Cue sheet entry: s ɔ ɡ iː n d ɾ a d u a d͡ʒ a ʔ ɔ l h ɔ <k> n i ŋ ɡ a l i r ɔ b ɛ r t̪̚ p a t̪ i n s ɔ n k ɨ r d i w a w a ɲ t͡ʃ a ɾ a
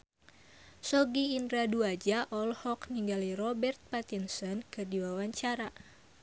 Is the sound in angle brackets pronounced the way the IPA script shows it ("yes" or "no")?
yes